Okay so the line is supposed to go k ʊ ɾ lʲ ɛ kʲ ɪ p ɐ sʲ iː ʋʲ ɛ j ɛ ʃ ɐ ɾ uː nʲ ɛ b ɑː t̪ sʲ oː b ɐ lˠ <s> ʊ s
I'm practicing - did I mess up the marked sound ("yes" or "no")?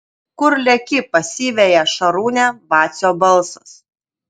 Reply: no